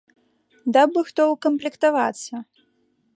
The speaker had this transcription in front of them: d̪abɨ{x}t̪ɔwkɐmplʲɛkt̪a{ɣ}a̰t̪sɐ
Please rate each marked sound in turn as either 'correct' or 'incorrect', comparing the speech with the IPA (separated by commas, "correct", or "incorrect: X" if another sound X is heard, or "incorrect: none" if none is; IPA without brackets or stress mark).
correct, incorrect: v